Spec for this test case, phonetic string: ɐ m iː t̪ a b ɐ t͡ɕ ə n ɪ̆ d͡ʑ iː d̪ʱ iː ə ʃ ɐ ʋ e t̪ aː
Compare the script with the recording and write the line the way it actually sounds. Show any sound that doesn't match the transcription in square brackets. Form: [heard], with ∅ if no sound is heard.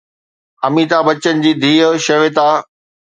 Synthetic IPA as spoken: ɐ m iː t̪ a b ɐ t͡ɕ ə n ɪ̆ d͡ʑ iː d̪ʱ iː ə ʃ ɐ ʋ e t̪ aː